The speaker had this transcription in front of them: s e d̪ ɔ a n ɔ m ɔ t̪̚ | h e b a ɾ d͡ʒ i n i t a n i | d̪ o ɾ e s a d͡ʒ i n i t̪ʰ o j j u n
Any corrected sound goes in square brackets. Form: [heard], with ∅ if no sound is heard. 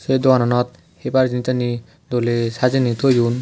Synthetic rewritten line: s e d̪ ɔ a n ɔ [n] ɔ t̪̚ | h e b a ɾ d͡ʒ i n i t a n i | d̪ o [l] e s a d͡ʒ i n i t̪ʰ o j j u n